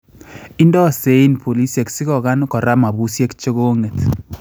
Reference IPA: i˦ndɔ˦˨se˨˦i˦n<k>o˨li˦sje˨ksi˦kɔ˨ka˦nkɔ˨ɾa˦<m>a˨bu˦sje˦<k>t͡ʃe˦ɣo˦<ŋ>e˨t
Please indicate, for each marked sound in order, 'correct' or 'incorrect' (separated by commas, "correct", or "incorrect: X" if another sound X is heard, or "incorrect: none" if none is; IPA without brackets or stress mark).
incorrect: p, correct, correct, correct